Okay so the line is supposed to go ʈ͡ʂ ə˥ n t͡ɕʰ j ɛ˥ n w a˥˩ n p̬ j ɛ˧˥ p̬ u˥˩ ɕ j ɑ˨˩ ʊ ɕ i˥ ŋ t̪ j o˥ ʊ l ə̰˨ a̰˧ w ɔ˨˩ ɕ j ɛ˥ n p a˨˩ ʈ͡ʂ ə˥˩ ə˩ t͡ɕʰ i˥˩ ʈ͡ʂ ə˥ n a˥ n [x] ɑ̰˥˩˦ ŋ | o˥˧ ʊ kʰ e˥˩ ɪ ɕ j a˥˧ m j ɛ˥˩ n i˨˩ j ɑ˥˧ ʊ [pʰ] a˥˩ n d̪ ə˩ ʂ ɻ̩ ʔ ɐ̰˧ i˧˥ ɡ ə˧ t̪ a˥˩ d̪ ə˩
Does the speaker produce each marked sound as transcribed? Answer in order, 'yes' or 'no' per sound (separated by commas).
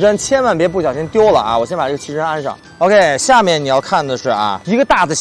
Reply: no, no